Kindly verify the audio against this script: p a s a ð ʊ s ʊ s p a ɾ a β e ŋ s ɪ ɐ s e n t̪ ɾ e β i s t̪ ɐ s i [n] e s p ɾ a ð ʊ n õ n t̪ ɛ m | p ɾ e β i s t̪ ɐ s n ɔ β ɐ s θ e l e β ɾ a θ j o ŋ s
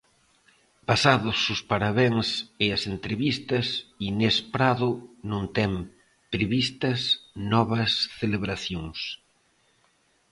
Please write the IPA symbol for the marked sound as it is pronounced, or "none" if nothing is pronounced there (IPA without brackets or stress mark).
n